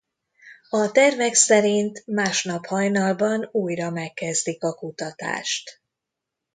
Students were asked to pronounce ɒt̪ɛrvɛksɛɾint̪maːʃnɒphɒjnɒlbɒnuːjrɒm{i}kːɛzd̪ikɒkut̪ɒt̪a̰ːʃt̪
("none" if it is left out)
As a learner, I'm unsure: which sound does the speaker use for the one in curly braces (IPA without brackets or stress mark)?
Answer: ɛ